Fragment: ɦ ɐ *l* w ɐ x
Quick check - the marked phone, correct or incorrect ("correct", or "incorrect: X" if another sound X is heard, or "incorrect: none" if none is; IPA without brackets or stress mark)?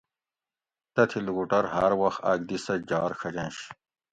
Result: incorrect: ɾ